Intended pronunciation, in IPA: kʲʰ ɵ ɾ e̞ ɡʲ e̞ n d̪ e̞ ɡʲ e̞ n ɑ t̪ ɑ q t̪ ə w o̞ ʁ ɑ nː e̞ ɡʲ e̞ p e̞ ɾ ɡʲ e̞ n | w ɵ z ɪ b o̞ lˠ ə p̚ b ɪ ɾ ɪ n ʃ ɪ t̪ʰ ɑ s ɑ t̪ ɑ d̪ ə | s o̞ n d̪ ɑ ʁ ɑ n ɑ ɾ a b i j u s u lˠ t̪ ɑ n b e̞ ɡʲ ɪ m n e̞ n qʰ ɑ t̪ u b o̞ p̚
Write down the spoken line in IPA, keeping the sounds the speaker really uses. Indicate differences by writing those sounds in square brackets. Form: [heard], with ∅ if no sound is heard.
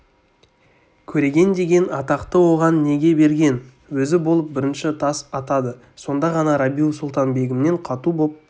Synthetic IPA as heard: kʲʰ ɵ ɾ e̞ ɡʲ e̞ n d̪ e̞ ɡʲ e̞ n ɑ t̪ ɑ q t̪ ə w o̞ ʁ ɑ nː e̞ ɡʲ e̞ [b] e̞ ɾ ɡʲ e̞ n | w ɵ z ɪ b o̞ lˠ ə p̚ b ɪ ɾ ɪ n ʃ ɪ t̪ʰ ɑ s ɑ t̪ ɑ d̪ ə | s o̞ n d̪ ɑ ʁ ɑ n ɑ ɾ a b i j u s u lˠ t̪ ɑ n b e̞ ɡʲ ɪ m n e̞ [ɴ] qʰ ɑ t̪ u b o̞ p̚